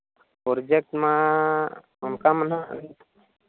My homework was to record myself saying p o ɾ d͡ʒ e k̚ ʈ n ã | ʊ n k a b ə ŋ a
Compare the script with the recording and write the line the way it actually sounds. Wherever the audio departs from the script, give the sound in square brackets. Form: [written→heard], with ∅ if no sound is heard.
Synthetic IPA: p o ɾ d͡ʒ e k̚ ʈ [n→m] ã | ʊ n k a [b→m] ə [ŋ→n] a